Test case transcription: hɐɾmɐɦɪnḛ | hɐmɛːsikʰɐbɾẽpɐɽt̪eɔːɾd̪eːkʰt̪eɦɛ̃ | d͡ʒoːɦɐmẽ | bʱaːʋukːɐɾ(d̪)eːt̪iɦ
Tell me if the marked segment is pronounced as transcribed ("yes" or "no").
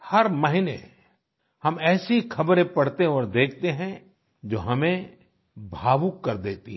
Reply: yes